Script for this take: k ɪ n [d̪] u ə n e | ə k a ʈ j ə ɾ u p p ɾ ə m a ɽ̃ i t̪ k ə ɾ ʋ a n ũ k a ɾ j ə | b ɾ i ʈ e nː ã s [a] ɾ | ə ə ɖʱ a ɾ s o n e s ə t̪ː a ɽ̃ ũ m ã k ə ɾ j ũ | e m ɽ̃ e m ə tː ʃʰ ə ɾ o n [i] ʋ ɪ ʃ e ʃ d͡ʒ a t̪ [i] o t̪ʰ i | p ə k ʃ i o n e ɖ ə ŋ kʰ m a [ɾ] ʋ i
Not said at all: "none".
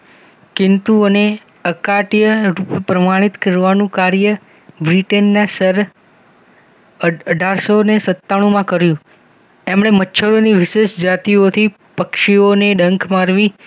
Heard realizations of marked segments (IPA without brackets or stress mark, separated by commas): t̪, ə, i, i, ɾ